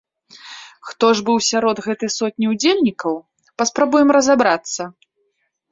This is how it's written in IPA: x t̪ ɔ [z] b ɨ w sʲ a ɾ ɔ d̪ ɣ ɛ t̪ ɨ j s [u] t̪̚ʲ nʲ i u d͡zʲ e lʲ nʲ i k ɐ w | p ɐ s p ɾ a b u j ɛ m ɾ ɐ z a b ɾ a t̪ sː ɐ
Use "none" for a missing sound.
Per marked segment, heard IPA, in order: ʐ, ɔ

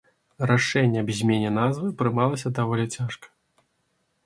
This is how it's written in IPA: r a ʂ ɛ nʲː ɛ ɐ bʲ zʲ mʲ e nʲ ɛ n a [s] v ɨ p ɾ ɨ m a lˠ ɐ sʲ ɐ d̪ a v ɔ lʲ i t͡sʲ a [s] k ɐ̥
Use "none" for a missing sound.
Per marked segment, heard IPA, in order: z, ʂ

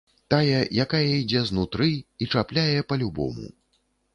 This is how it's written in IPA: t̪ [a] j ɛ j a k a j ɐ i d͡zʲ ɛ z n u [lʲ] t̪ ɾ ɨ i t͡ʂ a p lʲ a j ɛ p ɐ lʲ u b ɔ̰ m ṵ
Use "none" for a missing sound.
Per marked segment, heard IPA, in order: a, none

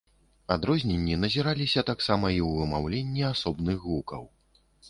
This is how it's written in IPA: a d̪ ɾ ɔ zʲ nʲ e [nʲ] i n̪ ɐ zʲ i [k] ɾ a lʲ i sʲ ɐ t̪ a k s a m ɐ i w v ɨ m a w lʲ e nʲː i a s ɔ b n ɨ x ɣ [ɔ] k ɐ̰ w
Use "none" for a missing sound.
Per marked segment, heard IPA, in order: nʲː, none, u

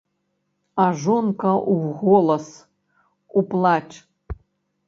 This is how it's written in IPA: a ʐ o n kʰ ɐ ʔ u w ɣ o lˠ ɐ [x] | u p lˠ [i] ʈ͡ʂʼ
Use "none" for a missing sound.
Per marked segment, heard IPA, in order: s, a

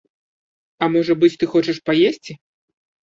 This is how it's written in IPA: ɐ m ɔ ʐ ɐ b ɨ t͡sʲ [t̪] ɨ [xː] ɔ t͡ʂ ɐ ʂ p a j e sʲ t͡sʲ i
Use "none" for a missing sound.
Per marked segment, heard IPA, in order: t̪, x

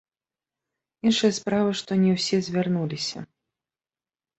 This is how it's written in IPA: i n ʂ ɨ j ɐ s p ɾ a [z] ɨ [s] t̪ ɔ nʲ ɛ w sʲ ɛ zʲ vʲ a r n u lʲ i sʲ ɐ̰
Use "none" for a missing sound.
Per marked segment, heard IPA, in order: v, ʂ

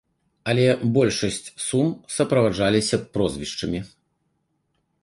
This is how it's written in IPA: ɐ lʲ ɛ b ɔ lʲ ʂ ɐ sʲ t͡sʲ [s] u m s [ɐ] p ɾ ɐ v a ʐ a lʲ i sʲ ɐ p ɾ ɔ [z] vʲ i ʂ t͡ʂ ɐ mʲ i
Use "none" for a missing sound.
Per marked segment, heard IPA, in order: s, ɐ, z

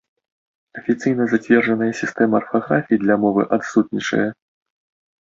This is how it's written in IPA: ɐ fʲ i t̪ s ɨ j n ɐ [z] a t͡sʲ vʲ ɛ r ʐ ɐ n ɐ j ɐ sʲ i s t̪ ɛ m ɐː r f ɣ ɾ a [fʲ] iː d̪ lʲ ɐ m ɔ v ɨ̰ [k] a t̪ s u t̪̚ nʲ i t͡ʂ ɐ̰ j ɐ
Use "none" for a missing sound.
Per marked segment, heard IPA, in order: z, fʲ, ʔ

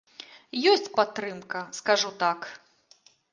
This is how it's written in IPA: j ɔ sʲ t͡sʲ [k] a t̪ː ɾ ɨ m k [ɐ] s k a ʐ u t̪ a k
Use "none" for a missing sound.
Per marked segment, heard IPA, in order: p, ɐ

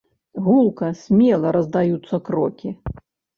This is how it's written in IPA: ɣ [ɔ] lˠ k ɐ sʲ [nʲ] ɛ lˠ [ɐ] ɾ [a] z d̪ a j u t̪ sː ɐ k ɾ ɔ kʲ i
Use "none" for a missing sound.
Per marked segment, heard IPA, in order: u, mʲ, ɐ, ɐ

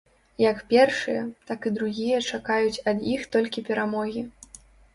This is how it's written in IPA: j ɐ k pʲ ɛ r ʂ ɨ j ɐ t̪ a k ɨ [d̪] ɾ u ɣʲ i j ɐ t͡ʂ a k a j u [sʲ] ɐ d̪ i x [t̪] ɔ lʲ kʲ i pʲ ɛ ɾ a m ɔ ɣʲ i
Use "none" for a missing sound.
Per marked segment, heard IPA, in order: d̪, t͡sʲ, t̪

